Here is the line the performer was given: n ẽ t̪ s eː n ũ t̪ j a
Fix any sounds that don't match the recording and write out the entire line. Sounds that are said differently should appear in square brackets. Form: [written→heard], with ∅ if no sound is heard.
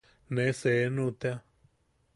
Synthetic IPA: n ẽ [t̪→∅] s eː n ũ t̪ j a